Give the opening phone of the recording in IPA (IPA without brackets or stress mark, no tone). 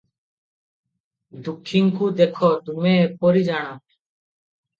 d̪